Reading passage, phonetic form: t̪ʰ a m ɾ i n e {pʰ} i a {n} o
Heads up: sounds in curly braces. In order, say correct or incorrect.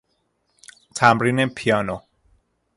correct, correct

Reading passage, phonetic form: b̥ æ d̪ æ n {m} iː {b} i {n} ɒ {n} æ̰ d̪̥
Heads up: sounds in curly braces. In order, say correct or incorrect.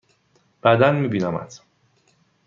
correct, correct, correct, incorrect: m

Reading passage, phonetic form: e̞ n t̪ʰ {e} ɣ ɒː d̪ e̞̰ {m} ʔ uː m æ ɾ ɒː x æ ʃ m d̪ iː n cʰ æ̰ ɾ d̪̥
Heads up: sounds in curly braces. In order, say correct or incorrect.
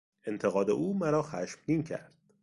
correct, incorrect: none

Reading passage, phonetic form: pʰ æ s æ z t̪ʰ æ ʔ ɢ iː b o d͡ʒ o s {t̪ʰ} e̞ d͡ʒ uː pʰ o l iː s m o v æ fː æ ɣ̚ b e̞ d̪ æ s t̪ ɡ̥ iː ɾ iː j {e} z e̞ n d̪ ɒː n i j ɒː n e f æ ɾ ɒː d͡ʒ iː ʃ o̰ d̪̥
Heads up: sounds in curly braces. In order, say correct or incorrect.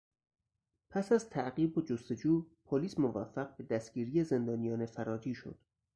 incorrect: t̪, correct

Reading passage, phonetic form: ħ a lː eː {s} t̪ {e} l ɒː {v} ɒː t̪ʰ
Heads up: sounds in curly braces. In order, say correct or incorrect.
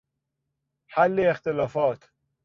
incorrect: x, correct, incorrect: f

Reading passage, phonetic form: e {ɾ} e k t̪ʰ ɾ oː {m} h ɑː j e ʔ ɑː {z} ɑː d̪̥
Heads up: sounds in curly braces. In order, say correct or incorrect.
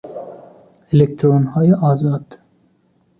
incorrect: l, incorrect: n, correct

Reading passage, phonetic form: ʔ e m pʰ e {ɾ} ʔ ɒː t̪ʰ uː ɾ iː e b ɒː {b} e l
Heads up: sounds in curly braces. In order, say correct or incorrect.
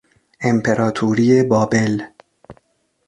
correct, correct

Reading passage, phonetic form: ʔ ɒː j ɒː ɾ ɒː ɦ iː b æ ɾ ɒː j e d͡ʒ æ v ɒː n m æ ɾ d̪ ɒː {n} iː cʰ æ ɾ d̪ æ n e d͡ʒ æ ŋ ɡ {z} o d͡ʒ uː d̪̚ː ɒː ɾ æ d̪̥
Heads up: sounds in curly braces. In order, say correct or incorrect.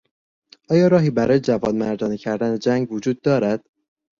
correct, incorrect: v

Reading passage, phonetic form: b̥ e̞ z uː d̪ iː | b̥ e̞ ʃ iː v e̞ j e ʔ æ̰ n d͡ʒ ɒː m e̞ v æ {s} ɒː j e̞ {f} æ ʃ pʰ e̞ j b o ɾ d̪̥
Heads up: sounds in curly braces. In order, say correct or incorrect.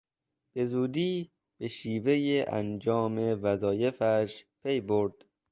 incorrect: z, correct

